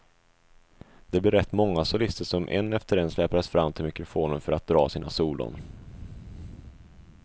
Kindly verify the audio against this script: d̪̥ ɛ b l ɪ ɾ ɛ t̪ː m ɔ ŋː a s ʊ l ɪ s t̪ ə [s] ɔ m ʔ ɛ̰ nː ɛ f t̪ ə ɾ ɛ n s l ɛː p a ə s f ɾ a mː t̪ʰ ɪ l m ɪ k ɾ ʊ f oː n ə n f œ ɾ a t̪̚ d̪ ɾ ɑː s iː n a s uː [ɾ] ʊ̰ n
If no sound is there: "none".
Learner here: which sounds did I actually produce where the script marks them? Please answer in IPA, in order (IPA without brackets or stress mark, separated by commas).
ʂ, l